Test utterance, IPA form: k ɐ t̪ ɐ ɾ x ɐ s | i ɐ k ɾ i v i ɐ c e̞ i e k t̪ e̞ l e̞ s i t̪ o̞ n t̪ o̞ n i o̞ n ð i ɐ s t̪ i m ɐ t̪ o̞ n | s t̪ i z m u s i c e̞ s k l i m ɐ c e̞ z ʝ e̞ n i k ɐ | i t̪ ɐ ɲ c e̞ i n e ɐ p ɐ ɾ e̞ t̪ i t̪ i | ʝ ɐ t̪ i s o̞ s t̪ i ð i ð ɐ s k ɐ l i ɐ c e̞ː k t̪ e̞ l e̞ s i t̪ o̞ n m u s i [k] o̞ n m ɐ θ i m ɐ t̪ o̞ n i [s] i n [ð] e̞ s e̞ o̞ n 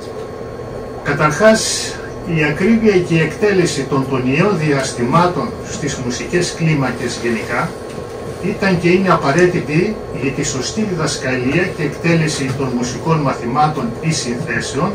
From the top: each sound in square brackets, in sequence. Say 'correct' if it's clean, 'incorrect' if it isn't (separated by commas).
correct, correct, incorrect